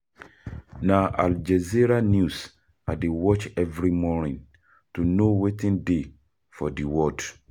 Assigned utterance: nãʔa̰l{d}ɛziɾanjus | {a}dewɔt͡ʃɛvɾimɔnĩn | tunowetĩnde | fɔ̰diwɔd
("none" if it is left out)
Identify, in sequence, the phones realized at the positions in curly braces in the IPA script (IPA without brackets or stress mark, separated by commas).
d͡ʒ, a